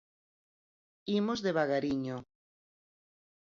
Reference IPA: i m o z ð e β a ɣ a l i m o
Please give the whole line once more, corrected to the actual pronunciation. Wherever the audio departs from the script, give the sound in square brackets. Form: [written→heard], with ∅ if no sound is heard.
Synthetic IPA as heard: i m o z ð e β a ɣ a [l→ɾ] i [m→ɲ] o